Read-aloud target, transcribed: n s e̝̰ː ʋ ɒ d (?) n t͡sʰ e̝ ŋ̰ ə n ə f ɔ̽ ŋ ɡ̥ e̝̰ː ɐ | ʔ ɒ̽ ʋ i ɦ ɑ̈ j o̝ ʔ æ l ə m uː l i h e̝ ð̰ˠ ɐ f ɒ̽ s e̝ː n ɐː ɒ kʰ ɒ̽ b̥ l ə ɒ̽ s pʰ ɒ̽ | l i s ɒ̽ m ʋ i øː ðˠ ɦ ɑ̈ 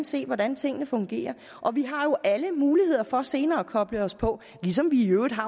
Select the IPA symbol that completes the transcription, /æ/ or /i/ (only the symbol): æ